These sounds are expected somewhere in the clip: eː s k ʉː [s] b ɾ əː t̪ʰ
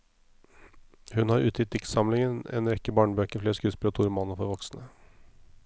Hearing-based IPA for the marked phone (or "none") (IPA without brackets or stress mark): s